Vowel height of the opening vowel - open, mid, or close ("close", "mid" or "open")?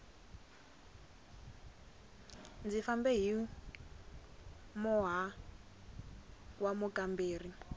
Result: close